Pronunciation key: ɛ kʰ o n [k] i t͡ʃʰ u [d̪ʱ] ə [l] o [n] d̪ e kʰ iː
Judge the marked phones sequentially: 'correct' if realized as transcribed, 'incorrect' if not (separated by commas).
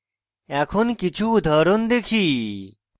correct, correct, incorrect, correct